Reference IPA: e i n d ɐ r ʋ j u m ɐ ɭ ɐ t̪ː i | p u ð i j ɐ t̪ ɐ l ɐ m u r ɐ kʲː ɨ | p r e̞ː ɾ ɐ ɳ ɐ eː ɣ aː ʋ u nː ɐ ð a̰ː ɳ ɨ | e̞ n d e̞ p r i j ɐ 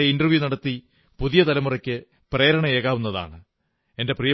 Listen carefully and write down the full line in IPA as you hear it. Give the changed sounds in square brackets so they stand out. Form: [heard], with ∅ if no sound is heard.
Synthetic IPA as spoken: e i n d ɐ r ʋ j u [n] ɐ [ɽ] ɐ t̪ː i | p u ð i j ɐ t̪ ɐ l ɐ m u r ɐ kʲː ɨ | p r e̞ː ɾ ɐ ɳ ɐ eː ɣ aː ʋ u nː ɐ ð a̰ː ɳ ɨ | e̞ n d e̞ p r i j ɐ